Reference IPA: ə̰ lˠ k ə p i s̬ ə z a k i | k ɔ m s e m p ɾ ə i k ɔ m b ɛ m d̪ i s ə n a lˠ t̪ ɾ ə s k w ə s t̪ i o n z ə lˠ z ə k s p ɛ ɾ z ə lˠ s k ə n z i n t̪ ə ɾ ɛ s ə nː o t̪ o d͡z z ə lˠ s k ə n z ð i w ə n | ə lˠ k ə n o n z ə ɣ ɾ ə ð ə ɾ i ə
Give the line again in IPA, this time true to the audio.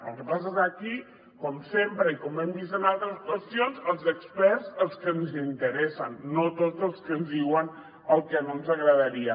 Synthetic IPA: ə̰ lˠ k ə p a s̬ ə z a k i | k ɔ m s e m p ɾ ə i k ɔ m b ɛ m d̪ i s ə n a lˠ t̪ ɾ ə s k w ə s t̪ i o n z ə lˠ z ə k s p ɛ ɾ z ə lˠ s k ə n z i n t̪ ə ɾ ɛ s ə nː o t̪ o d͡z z ə lˠ s k ə n z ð i w ə n | ə lˠ k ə n o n z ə ɣ ɾ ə ð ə ɾ i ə